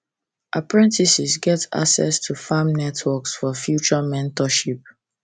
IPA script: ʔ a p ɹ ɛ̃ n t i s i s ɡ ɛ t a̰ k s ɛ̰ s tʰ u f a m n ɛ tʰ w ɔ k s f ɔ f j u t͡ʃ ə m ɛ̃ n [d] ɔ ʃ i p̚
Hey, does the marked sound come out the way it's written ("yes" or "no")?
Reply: no